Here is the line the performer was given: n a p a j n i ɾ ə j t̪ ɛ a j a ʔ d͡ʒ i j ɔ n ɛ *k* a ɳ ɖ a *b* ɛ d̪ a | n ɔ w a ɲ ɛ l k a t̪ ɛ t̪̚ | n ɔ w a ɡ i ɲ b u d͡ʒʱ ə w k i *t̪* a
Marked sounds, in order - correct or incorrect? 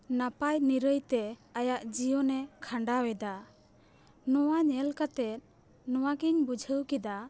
incorrect: kʰ, incorrect: w, incorrect: d̪

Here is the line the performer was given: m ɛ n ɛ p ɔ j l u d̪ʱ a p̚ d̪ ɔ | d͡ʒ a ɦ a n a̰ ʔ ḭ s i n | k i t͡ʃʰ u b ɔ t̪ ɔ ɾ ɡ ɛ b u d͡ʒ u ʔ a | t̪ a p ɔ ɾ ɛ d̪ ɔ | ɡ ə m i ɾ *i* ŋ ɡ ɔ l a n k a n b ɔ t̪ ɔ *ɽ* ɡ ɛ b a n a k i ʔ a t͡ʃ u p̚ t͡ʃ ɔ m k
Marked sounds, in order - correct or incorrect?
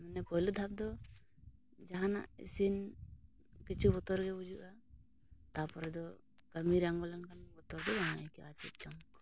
incorrect: a, incorrect: ɾ

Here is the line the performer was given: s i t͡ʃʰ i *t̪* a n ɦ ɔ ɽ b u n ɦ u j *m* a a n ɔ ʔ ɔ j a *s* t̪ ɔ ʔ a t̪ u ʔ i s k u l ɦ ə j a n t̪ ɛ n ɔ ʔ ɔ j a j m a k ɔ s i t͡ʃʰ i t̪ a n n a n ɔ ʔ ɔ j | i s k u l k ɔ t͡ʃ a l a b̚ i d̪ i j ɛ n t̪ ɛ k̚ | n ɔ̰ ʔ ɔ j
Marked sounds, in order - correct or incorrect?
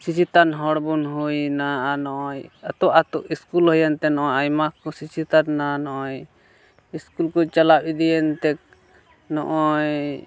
correct, incorrect: n, incorrect: none

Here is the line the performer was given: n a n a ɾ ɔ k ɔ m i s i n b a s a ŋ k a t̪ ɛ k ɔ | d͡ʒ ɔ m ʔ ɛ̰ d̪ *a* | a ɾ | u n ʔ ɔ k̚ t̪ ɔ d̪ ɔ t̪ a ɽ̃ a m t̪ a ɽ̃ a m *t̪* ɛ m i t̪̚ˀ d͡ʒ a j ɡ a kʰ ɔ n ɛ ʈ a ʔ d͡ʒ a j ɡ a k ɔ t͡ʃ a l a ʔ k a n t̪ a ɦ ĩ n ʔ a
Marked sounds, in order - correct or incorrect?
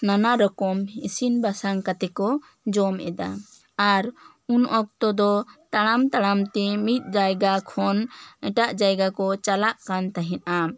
correct, correct

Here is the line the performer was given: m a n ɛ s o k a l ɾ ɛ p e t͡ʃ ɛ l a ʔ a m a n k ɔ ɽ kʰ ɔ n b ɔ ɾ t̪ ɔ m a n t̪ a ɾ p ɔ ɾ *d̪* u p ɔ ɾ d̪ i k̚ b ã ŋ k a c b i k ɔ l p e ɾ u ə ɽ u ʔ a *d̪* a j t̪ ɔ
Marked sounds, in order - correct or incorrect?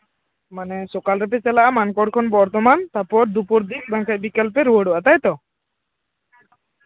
correct, incorrect: t̪

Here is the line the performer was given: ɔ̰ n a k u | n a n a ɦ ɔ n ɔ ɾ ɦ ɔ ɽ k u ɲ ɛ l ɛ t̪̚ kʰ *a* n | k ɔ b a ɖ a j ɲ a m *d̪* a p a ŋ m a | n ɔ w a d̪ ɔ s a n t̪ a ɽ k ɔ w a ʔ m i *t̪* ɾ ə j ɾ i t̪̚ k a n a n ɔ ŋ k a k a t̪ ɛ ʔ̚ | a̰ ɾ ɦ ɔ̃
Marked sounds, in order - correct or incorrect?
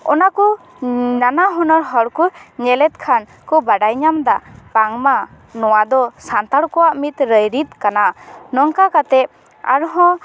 correct, correct, correct

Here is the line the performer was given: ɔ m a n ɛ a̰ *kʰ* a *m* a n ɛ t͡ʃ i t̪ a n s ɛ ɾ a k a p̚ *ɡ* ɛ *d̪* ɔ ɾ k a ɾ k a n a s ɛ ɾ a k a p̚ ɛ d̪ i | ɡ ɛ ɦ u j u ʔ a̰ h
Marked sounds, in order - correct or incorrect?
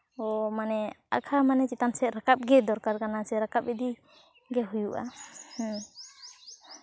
correct, correct, correct, correct

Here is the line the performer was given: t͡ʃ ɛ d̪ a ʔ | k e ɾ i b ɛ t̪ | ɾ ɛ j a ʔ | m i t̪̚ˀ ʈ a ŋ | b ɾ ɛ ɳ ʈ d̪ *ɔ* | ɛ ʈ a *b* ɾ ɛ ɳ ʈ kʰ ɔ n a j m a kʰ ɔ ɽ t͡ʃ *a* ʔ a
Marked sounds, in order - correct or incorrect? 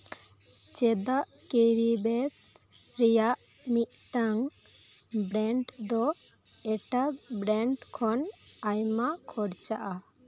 correct, correct, correct

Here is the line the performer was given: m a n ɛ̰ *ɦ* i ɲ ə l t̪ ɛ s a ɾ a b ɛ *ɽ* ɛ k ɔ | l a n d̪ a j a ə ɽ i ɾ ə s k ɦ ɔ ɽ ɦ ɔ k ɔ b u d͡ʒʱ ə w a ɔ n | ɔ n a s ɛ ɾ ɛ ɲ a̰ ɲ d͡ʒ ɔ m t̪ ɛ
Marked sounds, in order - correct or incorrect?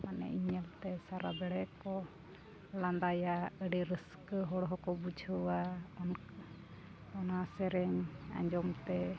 incorrect: none, correct

